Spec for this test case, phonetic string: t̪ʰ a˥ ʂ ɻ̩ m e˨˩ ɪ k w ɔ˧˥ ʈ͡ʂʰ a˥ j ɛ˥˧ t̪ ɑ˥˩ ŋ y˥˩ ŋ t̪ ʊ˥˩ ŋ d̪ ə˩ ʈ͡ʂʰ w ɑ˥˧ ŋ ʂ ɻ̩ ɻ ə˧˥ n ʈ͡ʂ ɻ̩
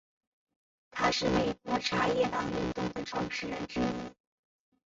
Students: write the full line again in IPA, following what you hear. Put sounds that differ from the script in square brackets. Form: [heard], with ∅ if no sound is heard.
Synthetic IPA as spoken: t̪ʰ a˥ ʂ ɻ̩ m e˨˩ ɪ k w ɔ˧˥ ʈ͡ʂʰ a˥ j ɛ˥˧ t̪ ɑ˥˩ ŋ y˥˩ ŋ t̪ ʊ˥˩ ŋ d̪ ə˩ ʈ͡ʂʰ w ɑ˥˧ ŋ ʂ ɻ̩ ɻ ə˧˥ n ʈ͡ʂ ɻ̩